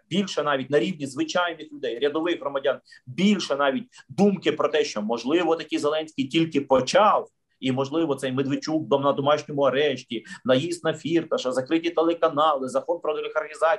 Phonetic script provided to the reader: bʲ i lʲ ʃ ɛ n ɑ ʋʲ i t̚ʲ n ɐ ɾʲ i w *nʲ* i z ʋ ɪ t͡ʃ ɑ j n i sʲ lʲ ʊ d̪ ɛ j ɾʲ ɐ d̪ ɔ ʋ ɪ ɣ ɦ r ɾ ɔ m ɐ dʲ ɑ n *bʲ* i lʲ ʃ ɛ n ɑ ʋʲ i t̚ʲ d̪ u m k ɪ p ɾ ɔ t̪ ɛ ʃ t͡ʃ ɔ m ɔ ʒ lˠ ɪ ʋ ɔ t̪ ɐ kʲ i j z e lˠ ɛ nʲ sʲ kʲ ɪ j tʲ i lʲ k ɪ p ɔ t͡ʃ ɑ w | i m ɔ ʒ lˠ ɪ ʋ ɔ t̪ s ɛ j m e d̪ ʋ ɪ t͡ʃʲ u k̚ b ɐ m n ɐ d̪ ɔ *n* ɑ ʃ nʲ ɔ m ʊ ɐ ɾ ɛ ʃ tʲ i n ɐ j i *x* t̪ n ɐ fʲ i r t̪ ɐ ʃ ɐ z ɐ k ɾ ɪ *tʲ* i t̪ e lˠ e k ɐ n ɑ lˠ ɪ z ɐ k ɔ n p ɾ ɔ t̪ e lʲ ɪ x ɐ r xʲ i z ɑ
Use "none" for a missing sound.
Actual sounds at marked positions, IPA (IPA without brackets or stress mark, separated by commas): nʲ, bʲ, m, s, tʲ